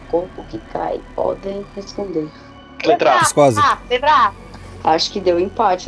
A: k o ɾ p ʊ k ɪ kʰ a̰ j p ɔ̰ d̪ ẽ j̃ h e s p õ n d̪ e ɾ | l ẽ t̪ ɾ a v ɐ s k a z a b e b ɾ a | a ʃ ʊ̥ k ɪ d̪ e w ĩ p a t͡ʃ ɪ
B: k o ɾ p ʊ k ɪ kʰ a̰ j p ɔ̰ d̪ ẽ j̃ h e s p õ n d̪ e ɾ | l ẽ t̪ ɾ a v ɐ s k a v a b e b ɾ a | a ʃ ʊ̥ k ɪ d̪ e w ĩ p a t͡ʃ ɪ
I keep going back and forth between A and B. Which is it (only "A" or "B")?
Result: A